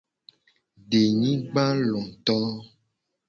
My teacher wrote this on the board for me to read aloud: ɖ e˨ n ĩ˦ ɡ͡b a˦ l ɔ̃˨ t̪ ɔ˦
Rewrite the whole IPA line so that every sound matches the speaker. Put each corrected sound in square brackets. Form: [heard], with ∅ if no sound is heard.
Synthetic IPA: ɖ e˨ [ɲ] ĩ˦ ɡ͡b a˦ l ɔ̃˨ t̪ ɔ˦